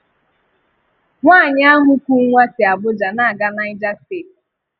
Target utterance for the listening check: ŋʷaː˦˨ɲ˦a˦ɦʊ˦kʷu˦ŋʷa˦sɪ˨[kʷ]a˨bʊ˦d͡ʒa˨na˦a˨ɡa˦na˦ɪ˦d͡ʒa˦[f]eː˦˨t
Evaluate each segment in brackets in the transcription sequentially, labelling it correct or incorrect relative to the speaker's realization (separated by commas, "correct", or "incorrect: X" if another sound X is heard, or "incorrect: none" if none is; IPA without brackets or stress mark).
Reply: incorrect: none, incorrect: s